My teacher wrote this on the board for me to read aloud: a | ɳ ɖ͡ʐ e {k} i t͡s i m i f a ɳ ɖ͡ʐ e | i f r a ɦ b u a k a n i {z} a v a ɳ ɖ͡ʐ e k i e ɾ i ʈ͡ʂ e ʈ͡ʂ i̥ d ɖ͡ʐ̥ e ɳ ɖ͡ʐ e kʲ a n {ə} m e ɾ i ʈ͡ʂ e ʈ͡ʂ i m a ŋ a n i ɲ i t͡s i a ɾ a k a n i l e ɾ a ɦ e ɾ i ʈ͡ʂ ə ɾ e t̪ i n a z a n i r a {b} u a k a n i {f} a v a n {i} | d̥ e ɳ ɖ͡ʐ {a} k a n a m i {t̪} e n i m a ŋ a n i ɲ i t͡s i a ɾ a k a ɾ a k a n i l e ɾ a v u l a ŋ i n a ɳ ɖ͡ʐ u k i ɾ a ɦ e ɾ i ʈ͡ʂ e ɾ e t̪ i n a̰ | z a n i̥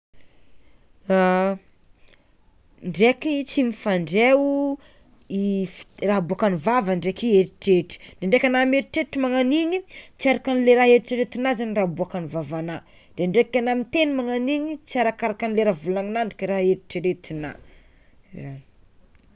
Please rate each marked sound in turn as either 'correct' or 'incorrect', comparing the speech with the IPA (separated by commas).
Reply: correct, incorrect, incorrect, correct, incorrect, incorrect, incorrect, correct